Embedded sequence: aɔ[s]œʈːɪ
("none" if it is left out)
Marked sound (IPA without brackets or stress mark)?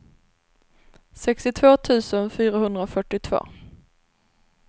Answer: f